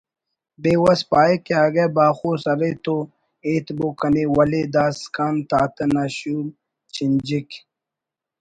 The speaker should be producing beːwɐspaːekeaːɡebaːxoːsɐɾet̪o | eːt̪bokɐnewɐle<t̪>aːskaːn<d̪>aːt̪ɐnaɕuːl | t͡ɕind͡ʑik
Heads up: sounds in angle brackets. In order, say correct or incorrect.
incorrect, incorrect

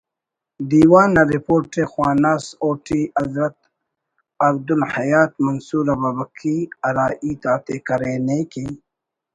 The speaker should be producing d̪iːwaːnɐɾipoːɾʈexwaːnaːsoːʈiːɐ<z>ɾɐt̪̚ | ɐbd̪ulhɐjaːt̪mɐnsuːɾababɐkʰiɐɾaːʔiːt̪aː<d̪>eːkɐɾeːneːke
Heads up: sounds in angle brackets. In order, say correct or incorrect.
correct, incorrect

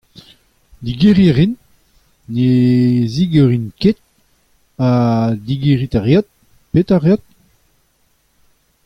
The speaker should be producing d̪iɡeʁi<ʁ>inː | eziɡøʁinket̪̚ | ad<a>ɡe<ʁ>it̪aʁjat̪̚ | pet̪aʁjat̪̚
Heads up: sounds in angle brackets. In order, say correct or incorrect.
correct, incorrect, correct

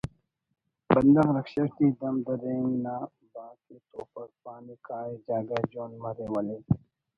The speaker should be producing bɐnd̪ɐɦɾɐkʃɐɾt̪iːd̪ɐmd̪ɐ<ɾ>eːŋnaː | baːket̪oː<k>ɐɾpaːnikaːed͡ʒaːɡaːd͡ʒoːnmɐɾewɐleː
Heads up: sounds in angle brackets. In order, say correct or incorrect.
correct, incorrect

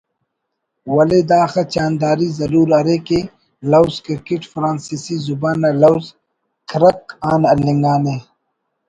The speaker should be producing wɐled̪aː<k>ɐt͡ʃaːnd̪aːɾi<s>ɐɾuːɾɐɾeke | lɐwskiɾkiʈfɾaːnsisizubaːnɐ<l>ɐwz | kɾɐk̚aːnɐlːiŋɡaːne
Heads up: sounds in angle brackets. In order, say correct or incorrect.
incorrect, incorrect, correct

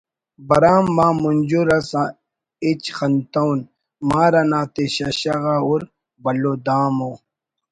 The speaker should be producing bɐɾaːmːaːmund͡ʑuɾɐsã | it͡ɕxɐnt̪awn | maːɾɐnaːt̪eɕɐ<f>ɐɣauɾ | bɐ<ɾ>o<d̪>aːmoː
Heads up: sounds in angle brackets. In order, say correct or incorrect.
incorrect, incorrect, correct

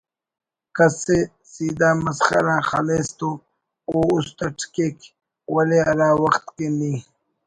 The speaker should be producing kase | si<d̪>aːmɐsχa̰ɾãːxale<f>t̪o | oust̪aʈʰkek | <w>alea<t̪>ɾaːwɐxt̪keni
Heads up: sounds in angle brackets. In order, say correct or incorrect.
correct, incorrect, correct, incorrect

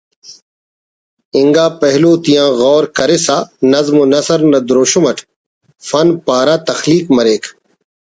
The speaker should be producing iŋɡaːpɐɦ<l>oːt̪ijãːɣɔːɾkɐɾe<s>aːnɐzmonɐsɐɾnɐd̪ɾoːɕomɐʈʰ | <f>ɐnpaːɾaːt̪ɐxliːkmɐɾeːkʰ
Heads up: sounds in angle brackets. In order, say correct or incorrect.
correct, correct, correct

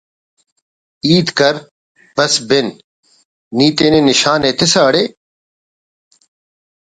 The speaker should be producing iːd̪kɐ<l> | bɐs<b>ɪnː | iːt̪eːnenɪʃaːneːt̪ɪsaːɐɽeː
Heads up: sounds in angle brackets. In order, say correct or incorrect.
incorrect, correct

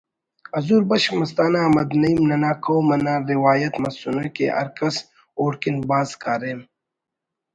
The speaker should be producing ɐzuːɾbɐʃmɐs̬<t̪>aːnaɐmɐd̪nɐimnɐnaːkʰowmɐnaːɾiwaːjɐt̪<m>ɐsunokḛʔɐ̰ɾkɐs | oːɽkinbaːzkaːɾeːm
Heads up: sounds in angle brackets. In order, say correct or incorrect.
correct, correct

